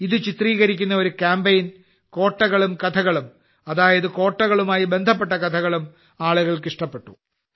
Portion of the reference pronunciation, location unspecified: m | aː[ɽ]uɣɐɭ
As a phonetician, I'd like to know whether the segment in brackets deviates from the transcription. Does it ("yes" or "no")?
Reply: yes